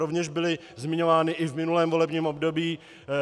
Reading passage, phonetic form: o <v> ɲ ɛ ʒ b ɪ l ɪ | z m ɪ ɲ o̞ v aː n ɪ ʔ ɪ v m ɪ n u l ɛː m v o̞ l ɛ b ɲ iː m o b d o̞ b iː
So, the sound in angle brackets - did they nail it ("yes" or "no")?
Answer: yes